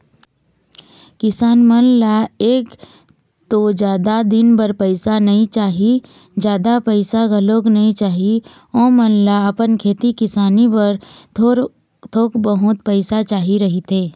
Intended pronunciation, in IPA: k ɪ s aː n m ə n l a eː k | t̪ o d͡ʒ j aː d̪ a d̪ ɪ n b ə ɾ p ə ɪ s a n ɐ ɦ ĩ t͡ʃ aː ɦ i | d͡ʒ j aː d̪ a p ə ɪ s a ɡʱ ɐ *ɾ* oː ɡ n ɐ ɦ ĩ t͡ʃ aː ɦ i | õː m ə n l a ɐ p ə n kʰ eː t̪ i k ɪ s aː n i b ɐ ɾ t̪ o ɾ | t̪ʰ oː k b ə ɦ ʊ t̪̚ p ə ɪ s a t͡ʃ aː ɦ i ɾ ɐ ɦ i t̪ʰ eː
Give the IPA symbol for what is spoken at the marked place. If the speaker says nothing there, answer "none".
l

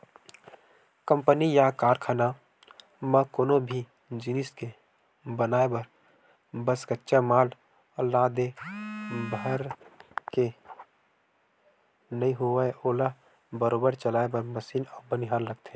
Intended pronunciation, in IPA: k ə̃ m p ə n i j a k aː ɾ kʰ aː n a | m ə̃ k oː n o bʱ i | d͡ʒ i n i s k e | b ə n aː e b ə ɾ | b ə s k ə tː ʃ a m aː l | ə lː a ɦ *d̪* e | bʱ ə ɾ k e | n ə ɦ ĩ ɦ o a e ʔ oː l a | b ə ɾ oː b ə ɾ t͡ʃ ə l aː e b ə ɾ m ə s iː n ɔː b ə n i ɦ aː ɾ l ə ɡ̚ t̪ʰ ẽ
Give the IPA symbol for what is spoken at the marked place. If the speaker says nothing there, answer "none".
d̪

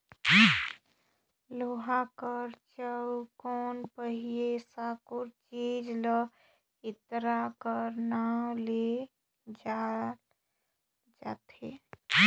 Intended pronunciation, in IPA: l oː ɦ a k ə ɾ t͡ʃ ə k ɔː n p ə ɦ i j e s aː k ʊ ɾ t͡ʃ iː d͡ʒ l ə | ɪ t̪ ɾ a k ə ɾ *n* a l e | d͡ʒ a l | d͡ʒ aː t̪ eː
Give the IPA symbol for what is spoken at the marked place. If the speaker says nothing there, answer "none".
n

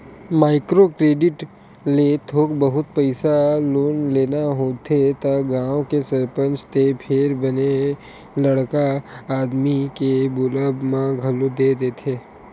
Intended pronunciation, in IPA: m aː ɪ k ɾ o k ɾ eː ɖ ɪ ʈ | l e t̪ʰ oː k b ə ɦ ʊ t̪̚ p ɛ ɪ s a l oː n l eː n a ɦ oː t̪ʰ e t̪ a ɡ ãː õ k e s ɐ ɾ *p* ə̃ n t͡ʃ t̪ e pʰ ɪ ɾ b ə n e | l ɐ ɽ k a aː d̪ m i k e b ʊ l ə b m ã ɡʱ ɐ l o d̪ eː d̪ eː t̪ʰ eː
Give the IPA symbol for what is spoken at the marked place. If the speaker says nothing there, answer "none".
p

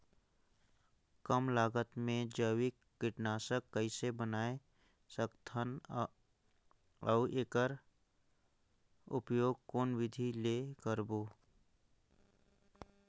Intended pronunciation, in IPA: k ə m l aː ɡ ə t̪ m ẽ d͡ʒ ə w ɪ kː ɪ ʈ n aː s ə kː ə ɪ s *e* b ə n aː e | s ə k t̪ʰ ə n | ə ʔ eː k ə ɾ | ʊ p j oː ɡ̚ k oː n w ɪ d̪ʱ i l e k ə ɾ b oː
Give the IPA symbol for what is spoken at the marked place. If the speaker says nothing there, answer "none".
e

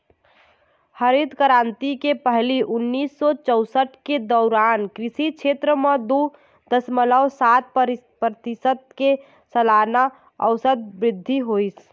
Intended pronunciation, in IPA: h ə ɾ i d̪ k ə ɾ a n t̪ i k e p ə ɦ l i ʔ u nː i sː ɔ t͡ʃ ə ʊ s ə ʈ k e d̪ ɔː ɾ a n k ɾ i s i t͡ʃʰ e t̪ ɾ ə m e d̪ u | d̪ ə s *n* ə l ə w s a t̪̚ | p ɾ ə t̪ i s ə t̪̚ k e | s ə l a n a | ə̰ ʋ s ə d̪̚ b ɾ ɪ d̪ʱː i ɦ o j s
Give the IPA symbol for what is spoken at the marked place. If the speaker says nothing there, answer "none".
m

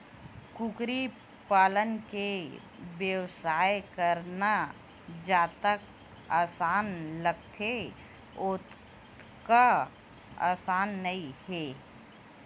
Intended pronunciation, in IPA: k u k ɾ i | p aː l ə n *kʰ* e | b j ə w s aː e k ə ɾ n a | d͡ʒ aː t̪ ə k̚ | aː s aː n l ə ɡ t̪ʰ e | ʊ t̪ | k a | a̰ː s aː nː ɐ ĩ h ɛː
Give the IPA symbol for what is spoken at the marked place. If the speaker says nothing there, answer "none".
k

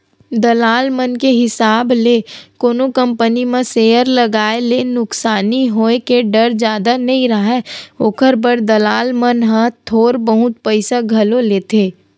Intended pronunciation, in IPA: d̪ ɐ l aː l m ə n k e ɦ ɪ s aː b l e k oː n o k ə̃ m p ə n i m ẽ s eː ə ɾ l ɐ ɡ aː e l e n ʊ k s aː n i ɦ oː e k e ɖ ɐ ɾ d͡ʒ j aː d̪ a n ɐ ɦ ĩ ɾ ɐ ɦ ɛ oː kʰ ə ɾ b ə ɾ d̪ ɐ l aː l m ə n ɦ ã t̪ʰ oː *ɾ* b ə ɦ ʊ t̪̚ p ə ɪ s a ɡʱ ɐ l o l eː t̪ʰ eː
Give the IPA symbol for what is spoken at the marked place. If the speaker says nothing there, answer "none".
ɾ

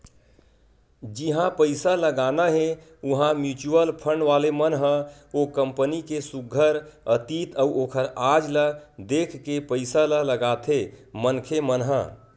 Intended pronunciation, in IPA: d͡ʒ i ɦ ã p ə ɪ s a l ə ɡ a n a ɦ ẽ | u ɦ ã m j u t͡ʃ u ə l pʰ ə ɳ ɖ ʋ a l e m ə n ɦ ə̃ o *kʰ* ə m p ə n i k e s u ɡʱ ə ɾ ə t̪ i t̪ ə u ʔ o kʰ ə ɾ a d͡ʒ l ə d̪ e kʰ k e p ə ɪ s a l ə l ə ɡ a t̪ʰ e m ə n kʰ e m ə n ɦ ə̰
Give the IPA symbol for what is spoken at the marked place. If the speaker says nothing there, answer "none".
k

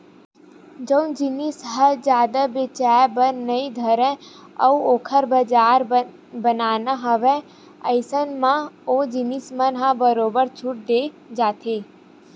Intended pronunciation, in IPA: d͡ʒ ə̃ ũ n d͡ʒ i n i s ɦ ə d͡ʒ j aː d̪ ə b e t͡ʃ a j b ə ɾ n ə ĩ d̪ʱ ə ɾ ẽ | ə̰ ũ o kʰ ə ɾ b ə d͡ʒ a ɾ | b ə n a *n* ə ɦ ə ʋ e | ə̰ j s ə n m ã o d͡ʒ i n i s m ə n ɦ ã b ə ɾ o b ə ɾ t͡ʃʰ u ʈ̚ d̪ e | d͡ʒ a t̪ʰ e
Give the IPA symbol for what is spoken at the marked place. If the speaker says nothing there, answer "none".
n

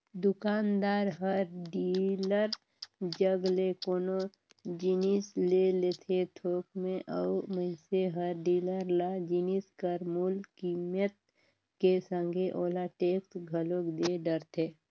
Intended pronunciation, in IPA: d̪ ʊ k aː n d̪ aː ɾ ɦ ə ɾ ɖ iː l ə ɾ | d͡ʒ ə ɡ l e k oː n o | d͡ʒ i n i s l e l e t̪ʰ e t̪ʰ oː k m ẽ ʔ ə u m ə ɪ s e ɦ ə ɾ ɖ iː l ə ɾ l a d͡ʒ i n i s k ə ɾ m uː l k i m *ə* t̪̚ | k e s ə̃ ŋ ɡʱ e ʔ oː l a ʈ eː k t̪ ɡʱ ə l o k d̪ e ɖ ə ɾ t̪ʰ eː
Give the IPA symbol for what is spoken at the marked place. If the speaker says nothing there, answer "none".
ə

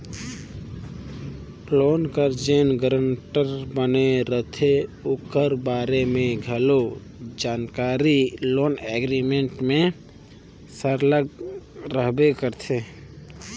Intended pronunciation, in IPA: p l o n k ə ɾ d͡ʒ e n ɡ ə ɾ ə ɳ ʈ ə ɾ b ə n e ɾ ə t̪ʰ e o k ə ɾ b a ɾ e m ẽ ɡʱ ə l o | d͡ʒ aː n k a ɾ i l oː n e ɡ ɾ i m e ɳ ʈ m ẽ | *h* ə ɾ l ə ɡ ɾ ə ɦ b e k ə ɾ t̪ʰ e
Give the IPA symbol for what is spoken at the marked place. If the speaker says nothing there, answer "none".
s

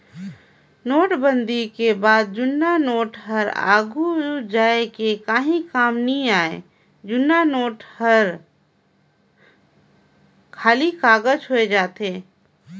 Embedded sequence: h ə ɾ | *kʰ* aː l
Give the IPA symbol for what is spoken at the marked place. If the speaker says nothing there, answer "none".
kʰ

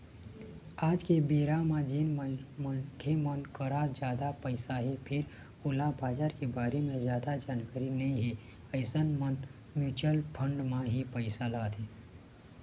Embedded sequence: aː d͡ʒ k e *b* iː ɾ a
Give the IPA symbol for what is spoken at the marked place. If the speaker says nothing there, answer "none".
b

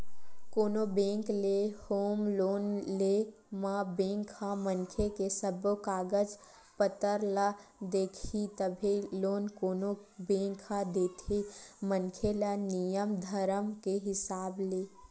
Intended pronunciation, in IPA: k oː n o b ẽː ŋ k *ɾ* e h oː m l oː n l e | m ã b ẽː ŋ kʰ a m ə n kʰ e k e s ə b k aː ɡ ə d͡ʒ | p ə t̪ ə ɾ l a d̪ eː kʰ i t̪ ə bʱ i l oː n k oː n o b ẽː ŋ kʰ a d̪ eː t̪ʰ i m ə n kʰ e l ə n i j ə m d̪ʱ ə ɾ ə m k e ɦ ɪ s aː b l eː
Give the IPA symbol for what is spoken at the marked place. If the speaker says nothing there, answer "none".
l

